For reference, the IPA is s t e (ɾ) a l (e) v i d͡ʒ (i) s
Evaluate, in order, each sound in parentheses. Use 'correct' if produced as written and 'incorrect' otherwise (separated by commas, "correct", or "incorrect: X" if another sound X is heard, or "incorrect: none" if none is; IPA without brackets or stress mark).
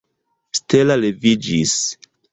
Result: incorrect: l, correct, correct